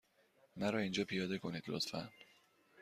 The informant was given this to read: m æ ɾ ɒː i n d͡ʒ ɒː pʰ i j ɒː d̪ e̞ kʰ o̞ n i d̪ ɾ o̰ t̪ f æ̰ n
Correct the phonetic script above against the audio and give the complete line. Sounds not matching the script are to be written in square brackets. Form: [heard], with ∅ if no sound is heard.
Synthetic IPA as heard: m æ ɾ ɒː i n d͡ʒ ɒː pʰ i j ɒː d̪ e̞ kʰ o̞ n i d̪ [l] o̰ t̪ f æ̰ n